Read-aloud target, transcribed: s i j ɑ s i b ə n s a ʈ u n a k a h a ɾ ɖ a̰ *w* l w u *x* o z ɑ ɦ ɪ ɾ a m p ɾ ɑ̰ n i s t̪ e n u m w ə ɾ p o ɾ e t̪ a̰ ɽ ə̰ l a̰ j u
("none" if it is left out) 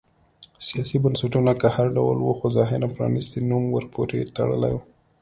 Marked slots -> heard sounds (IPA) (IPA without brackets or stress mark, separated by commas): w, x